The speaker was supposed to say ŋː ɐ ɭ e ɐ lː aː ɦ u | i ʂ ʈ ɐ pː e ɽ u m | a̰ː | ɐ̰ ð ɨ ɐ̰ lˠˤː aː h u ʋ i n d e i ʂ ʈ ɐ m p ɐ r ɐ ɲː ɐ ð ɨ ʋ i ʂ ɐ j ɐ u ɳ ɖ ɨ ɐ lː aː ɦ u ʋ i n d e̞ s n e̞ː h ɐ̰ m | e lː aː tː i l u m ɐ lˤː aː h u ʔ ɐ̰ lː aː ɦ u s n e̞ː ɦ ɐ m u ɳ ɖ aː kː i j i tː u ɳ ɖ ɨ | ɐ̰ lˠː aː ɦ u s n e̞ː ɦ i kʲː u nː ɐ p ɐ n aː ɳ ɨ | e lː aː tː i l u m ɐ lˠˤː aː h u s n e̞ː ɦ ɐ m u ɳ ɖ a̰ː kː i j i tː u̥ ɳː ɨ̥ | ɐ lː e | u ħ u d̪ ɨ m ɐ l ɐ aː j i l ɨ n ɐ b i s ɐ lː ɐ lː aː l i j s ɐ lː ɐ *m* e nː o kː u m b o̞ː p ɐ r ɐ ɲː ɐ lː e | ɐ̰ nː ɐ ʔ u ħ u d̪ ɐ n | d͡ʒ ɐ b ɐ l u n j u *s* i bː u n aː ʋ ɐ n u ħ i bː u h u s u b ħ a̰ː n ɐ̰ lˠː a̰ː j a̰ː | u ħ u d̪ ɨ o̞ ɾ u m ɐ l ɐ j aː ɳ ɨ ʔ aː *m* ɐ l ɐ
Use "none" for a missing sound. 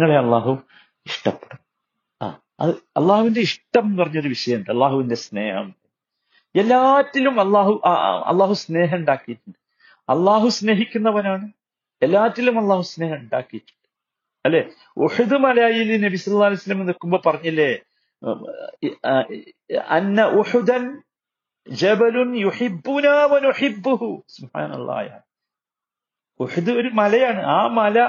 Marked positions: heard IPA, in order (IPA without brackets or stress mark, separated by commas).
m, ħ, m